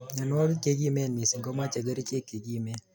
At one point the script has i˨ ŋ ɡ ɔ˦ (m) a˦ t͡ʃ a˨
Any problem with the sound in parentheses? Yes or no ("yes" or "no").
no